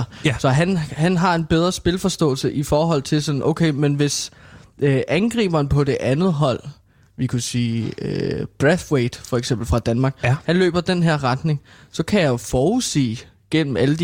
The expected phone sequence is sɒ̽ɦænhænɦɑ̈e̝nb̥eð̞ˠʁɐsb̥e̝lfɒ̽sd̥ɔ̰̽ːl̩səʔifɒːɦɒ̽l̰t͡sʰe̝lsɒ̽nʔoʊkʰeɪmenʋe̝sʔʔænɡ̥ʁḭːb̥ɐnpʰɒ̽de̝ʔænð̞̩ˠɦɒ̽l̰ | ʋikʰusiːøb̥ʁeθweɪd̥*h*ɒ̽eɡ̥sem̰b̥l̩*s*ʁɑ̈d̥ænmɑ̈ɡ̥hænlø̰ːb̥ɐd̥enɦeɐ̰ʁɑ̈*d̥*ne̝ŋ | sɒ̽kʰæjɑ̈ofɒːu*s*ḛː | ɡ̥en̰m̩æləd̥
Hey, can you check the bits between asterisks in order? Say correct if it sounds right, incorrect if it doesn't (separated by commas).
incorrect, incorrect, correct, correct